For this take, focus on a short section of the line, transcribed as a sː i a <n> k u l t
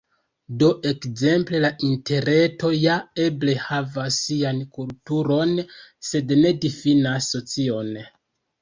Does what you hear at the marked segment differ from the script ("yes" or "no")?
no